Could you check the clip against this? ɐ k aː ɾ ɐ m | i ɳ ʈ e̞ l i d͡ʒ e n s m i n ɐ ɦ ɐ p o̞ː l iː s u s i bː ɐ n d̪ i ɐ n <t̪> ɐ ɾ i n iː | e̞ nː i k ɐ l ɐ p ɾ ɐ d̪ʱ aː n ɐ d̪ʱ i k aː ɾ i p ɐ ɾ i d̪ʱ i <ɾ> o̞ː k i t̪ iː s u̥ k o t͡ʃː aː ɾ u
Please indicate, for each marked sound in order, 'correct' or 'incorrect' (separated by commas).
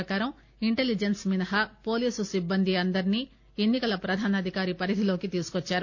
incorrect, incorrect